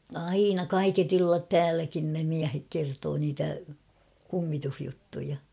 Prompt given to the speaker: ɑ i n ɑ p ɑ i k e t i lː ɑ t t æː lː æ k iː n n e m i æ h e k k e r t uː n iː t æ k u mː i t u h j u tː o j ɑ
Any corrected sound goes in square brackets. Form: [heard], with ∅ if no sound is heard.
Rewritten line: ɑ i n ɑ [k] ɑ i k e t i lː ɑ t t æː [l] æ k [i] n n e m i æ h e k k e r t [oː] n iː t æ k u mː i t u h j u tː [u] j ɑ